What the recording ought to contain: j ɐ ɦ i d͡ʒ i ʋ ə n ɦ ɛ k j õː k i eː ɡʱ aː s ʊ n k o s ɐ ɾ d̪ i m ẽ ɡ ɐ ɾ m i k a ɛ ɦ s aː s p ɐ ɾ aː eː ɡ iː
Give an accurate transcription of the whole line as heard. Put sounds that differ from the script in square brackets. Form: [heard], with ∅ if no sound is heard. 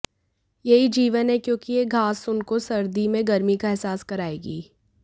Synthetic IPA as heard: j ɐ ɦ i d͡ʒ [iː] ʋ ə n ɦ ɛ k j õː k i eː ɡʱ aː s ʊ n k o s ɐ ɾ d̪ i m ẽ ɡ ɐ ɾ m i k a ɛ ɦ s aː s [k] ɐ ɾ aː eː ɡ iː